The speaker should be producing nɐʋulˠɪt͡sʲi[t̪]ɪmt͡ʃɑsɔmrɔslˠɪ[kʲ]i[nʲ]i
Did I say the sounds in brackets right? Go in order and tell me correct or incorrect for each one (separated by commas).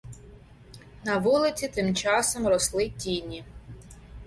correct, incorrect, correct